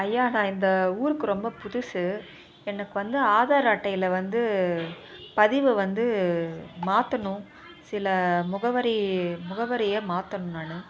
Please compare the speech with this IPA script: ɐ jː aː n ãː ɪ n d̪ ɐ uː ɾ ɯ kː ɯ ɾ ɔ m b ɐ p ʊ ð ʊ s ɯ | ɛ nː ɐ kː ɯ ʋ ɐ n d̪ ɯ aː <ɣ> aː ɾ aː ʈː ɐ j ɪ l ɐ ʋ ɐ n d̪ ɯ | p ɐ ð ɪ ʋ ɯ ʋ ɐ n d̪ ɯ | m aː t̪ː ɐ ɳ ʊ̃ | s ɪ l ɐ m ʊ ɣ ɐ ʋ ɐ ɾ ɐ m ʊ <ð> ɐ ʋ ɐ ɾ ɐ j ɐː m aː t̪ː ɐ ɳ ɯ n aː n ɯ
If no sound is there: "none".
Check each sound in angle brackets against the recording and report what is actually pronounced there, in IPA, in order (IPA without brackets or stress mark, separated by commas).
ð, ɣ